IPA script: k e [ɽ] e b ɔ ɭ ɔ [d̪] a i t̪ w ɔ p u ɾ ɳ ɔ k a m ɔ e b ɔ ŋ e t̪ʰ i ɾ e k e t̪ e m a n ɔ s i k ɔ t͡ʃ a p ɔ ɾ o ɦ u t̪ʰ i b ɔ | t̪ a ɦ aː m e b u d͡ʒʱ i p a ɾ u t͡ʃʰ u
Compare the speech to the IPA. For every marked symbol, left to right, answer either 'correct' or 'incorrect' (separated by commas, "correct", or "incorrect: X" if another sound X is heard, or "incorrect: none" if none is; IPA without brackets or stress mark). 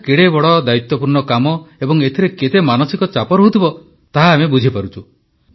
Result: correct, correct